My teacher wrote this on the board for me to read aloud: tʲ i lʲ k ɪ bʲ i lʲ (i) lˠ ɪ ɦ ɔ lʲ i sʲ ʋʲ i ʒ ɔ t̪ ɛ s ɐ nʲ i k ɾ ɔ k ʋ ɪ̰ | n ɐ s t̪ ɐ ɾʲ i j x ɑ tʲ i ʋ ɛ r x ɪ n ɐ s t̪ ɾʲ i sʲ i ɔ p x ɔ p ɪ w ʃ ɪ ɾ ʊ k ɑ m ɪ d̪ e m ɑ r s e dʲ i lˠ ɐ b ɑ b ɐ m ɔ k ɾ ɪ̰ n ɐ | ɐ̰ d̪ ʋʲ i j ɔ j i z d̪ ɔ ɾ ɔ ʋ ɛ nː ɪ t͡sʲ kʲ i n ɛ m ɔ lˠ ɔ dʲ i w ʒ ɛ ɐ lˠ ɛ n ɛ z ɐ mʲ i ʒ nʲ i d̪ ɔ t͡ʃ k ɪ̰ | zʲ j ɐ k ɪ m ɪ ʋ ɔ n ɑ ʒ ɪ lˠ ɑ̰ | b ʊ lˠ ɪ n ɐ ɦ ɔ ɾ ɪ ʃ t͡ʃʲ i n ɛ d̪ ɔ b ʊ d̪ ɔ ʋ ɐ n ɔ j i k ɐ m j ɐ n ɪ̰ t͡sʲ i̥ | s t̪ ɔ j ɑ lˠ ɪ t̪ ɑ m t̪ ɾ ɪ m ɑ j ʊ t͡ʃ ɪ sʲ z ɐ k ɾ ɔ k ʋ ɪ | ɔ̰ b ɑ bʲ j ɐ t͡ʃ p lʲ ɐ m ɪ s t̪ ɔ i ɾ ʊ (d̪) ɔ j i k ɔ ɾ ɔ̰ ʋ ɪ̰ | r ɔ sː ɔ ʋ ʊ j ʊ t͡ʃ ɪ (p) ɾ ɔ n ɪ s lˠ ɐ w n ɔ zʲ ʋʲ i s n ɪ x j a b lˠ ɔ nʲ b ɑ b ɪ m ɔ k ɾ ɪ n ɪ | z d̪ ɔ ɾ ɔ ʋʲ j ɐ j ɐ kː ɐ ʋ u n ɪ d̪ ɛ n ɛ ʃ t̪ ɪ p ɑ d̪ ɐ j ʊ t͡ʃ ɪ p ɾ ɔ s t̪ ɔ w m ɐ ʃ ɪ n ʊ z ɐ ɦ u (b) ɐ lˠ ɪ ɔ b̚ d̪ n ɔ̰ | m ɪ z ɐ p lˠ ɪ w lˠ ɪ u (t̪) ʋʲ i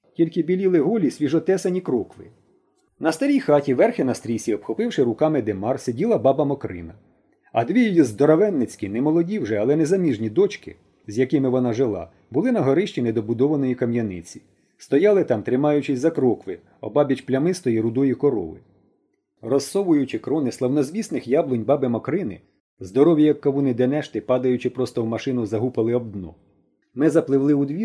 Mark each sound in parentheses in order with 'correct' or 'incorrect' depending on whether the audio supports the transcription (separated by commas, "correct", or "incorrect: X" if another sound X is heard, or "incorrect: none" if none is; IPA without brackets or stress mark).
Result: correct, correct, incorrect: k, incorrect: p, incorrect: d̪